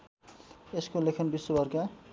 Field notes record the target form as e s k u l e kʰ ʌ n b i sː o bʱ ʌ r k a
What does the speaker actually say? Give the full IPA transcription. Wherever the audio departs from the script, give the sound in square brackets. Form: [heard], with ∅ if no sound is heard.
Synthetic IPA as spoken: e s k [o] l e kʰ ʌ n b i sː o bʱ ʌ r k a